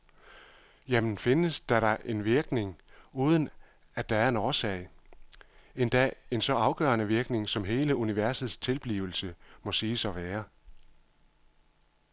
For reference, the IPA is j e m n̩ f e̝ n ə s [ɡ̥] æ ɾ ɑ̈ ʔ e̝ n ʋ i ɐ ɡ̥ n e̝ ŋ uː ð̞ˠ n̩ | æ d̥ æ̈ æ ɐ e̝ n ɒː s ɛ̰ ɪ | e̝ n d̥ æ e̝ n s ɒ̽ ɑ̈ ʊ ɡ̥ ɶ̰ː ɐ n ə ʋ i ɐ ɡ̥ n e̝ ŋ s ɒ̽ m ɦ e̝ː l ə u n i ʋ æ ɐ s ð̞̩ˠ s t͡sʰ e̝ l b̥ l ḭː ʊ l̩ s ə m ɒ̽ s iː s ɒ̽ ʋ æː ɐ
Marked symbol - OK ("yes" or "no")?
no